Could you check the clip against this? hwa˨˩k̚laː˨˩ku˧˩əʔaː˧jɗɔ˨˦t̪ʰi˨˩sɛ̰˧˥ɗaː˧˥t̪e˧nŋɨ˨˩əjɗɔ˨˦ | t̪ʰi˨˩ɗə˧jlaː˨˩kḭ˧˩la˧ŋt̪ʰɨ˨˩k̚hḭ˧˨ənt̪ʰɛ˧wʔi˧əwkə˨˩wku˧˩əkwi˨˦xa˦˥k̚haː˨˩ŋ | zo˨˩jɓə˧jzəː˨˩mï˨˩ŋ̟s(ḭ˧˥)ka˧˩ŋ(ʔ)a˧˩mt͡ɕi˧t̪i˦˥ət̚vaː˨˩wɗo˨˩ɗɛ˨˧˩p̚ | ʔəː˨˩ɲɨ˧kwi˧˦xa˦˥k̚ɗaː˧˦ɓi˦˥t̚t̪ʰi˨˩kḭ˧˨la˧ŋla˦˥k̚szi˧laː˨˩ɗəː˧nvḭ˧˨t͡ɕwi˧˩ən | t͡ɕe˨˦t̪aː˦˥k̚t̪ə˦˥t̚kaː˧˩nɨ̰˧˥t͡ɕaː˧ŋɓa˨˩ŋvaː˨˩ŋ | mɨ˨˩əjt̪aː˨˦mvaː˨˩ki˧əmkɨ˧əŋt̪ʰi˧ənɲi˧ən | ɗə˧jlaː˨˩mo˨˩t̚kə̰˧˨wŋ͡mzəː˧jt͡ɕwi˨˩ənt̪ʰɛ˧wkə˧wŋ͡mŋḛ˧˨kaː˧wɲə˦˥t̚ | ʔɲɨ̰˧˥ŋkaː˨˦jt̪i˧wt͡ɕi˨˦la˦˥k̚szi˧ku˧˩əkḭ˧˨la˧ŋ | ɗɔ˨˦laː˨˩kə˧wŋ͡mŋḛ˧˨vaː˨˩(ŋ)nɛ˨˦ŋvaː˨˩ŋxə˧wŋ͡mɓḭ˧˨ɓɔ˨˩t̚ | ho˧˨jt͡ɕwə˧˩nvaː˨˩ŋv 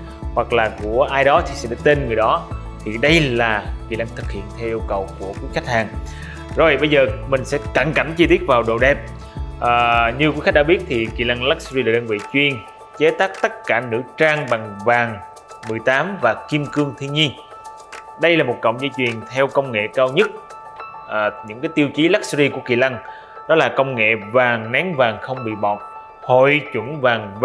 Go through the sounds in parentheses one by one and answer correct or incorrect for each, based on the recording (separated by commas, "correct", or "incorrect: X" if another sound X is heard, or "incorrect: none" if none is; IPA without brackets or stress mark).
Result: incorrect: ɛ̰˧˥, incorrect: k, correct